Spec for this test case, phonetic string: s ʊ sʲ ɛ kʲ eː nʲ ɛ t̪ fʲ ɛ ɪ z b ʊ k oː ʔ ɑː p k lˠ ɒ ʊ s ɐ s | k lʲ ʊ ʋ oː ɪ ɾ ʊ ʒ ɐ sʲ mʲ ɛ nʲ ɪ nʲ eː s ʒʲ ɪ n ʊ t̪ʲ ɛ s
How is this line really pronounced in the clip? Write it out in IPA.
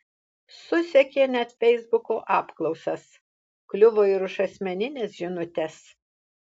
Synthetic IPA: s ʊ sʲ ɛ kʲ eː nʲ ɛ t̪ fʲ ɛ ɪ z b ʊ k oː ʔ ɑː p k lˠ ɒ ʊ s ɐ s | k lʲ ʊ ʋ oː ɪ ɾ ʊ ʃ ɐ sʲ mʲ ɛ nʲ ɪ nʲ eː s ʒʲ ɪ n ʊ t̪ʲ ɛ s